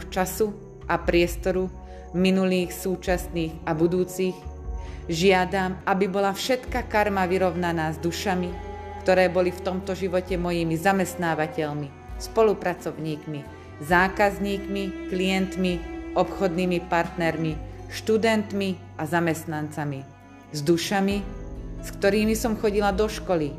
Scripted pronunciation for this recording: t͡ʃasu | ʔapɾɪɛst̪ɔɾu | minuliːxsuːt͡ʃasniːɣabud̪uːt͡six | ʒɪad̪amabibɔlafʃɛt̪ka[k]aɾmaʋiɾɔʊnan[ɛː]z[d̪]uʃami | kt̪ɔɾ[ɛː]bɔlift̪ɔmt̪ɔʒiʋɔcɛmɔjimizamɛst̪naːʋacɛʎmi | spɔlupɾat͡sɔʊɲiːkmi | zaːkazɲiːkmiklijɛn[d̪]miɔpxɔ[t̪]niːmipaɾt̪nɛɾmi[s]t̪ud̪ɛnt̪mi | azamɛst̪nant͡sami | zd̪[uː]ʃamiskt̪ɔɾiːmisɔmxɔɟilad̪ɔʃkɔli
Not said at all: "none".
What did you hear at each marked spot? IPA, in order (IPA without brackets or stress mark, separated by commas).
k, aː, d̪, ɛː, t̪, d̪, ʃ, u